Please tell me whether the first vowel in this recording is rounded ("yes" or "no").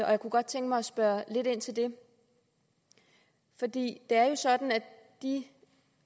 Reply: yes